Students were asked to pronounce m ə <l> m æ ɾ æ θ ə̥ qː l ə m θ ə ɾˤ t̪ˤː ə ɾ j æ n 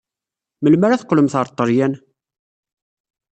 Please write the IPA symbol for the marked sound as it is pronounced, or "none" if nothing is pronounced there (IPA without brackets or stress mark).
l